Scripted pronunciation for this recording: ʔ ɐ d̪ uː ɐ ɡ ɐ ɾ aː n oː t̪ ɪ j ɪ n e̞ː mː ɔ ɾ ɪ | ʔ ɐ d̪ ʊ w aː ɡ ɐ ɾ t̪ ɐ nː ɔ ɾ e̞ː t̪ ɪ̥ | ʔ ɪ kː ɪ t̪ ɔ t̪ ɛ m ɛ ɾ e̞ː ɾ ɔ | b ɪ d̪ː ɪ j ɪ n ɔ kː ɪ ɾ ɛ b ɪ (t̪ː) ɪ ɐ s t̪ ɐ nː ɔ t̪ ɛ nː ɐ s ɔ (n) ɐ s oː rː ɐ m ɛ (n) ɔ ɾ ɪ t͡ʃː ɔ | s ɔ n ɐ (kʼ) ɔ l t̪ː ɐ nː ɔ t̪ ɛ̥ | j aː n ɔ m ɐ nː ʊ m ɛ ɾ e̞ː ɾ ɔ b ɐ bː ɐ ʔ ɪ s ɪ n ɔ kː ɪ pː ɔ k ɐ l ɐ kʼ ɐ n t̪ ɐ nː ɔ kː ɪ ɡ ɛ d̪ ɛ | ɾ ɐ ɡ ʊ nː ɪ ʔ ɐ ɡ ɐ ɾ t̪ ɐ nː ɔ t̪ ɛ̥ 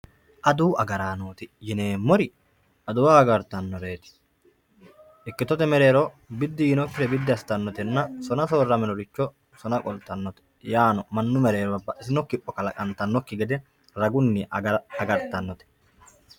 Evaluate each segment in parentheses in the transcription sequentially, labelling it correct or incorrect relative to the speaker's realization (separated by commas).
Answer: incorrect, correct, correct, correct